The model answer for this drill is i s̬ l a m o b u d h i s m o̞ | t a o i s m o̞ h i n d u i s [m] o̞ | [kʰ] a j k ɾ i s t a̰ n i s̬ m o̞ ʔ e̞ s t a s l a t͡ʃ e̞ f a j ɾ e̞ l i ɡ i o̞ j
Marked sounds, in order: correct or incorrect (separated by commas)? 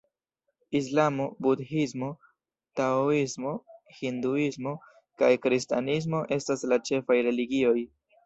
correct, incorrect